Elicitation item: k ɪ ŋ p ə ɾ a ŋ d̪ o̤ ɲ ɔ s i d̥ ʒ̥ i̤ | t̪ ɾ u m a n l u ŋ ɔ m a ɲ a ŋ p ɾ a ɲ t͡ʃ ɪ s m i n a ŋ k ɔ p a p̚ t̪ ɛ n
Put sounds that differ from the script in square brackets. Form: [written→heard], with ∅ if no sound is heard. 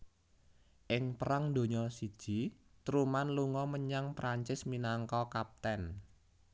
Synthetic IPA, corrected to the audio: [k→ʔ] ɪ ŋ p ə ɾ a ŋ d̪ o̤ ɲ ɔ s i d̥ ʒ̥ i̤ | t̪ ɾ u m a n l u ŋ ɔ m [a→ə] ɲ a ŋ p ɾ a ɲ t͡ʃ ɪ s m i n a ŋ k ɔ [p→k] a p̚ t̪ ɛ n